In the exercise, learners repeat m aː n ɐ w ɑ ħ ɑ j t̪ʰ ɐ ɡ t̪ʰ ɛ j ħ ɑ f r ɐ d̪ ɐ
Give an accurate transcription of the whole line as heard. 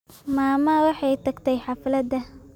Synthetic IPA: m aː m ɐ w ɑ ħ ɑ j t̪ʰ ɐ ɡ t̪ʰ ɛ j ħ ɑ f l ɐ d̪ ɐ

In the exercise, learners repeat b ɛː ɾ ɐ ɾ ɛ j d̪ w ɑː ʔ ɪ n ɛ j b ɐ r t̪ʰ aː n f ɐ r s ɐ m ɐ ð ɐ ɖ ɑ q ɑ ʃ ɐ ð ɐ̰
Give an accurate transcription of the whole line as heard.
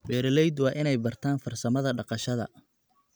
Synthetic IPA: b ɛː ɾ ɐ l ɛ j d̪ w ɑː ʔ ɪ n ɛ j b ɐ r t̪ʰ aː n f ɐ r s ɐ m ɐ ð ɐ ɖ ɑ q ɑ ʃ ɐ ð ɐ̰

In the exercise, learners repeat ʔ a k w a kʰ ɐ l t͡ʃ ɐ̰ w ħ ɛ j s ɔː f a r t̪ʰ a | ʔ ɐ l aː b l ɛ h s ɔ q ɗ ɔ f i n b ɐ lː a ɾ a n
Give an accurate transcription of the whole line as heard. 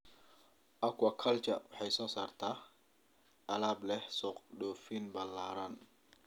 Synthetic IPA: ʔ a k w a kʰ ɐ l t͡ʃ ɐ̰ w ħ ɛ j s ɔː s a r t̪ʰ a | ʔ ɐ l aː b l ɛ h s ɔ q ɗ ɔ f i n b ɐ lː a ɾ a n

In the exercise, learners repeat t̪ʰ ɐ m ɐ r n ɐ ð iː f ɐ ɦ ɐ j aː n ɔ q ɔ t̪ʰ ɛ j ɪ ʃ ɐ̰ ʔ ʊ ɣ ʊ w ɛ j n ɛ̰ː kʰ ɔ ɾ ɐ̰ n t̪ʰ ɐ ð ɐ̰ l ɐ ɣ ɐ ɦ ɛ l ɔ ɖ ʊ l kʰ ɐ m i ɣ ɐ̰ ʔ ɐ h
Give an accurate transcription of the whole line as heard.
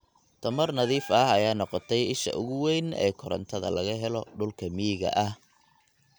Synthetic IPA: t̪ʰ ɐ m ɐ r n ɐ ð iː f ɐ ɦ ɐ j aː n ɔ q ɔ t̪ʰ ɛ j ɪ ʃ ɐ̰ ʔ ʊ ɣ ʊ w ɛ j n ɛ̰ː kʰ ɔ ɾ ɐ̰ n t̪ʰ ɐ ð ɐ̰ l ɐ ɣ ɐ ɦ ɛ l ɔ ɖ ʊ l kʰ ɐ m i ɣ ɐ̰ ʔ ɐ h

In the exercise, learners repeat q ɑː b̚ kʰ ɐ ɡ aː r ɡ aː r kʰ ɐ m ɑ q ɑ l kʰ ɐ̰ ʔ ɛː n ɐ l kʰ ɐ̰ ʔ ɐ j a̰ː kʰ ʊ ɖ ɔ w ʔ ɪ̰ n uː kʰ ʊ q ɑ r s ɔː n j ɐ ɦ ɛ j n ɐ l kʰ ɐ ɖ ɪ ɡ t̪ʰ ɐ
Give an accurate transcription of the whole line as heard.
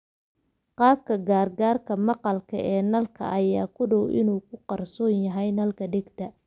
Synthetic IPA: q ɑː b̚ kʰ ɐ ɡ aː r ɡ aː r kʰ ɐ m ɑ q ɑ l kʰ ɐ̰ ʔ ɛː n ɐ l kʰ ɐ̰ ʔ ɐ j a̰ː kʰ ʊ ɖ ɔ w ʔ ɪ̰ n uː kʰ ʊ q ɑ r s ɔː n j ɐ ɦ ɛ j n ɐ l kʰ ɐ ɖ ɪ ɡ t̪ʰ ɐ

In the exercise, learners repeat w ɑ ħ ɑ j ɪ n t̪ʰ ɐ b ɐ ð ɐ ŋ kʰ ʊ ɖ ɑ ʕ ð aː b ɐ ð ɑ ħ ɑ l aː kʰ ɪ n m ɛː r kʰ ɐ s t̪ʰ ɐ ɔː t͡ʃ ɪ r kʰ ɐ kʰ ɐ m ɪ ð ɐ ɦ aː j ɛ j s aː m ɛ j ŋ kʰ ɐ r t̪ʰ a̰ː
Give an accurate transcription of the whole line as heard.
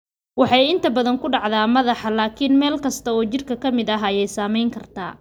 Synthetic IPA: w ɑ ħ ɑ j ɪ n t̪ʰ ɐ b ɐ ð ɐ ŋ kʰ ʊ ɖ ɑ ʕ ð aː m ɐ ð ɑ ħ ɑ l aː kʰ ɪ n m ɛː l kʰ ɐ s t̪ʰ ɐ ɔː t͡ʃ ɪ r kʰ ɐ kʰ ɐ m ɪ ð ɐ ɦ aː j ɛ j s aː m ɛ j ŋ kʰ ɐ r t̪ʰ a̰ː

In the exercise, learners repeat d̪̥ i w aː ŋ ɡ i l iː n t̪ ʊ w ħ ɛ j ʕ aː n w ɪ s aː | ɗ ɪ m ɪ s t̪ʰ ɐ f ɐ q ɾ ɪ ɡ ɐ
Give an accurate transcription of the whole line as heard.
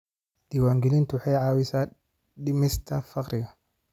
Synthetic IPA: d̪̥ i w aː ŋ ɡ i l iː n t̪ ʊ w ħ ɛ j ʕ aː w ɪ s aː | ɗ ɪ m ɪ s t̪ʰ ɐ f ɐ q ɾ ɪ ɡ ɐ

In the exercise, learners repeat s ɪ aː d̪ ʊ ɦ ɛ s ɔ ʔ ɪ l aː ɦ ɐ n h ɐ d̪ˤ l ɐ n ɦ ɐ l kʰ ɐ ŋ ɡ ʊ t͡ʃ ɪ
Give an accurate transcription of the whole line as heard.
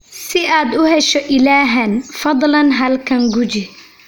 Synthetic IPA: s ɪ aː d̪ ʊ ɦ ɛ ʃ ɔ ʔ ɪ l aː ɦ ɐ n f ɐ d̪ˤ l ɐ n ɦ ɐ l kʰ ɐ ŋ ɡ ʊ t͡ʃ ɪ

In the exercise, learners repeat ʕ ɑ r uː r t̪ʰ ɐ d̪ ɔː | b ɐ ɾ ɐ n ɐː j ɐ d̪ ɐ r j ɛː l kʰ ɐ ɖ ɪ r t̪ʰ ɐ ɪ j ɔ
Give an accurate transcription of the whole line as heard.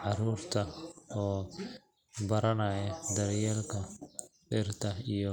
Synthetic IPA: ʕ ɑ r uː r t̪ʰ ɐ ɔː | b ɐ ɾ ɐ n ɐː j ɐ d̪ ɐ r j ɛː l kʰ ɐ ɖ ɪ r t̪ʰ ɐ i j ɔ

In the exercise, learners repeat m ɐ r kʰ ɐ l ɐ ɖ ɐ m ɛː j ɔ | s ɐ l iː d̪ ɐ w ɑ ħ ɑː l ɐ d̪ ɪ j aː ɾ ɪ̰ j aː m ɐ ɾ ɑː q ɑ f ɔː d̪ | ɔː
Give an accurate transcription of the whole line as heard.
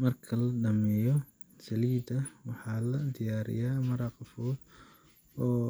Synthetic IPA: m ɐ r kʰ ɐ l ɐ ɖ ɐ m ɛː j ɔ | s ɐ l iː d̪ ɐ w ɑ ħ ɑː l ɐ d̪ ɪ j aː ɾ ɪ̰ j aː m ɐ ɾ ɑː q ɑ f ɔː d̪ | ɔː

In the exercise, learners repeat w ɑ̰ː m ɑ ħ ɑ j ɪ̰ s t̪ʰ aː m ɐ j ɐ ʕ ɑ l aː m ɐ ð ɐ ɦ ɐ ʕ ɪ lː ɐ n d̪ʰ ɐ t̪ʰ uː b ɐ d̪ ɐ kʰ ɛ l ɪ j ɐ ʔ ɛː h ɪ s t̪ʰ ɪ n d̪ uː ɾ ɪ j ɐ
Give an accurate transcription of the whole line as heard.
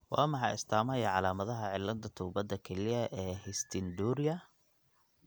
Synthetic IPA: w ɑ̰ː m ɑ ħ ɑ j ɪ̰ s t̪ʰ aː m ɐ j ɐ ʕ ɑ l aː m ɐ ð ɐ ɦ ɐ ʕ ɪ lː ɐ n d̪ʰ ɐ t̪ʰ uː b ɐ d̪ ɐ kʰ ɛ l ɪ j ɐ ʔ ɛː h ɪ s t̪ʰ ɪ n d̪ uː ɾ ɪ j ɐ

